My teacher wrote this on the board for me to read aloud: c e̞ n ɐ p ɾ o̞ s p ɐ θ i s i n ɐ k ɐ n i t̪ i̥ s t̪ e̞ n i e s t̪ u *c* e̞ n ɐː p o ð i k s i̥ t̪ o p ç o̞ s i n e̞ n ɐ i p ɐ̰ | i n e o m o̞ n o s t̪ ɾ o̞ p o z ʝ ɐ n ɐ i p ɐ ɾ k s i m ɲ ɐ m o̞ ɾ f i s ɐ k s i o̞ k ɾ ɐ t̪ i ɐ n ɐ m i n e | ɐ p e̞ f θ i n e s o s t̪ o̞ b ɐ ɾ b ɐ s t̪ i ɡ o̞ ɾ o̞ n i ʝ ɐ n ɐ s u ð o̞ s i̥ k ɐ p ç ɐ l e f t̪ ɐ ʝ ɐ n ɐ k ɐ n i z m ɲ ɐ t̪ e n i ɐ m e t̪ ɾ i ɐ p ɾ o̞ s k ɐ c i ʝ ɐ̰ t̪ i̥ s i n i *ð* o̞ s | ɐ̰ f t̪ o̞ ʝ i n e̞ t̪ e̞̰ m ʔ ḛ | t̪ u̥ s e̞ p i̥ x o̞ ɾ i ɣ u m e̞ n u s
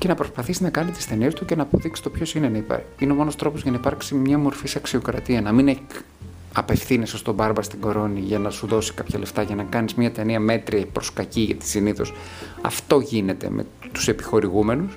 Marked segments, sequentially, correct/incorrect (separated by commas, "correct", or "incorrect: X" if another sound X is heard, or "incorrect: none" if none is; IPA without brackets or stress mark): correct, incorrect: θ